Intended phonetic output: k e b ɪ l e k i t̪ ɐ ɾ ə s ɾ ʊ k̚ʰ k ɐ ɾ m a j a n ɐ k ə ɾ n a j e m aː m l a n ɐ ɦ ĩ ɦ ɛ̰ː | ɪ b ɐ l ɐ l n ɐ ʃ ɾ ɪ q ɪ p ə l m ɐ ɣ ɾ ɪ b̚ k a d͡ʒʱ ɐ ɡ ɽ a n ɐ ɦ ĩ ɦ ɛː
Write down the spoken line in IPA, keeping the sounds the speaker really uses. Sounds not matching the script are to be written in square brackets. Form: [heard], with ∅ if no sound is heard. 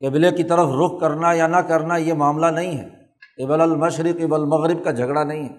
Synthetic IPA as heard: k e b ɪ l e k i t̪ ɐ ɾ ə [f] ɾ ʊ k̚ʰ k ɐ ɾ [n] a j a n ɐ k [ɐ] ɾ n a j e m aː m l a n ɐ ɦ ĩ ɦ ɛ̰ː | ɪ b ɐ l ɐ l [m] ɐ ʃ ɾ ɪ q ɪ [b] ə l m ɐ ɣ ɾ ɪ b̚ k a d͡ʒʱ ɐ ɡ ɽ a n ɐ ɦ ĩ ɦ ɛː